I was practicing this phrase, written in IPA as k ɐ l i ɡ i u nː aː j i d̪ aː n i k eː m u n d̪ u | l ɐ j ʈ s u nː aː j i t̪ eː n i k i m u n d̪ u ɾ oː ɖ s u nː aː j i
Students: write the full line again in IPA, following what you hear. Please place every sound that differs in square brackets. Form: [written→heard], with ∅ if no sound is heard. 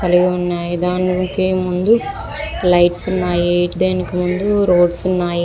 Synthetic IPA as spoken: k ɐ l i ɡ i u nː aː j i d̪ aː n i k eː m u n d̪ u | l ɐ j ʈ s u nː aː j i [t̪→d̪] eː n i k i m u n d̪ u ɾ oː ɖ s u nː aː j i